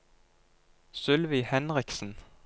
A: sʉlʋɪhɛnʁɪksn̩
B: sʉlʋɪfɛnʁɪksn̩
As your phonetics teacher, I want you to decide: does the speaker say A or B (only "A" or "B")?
A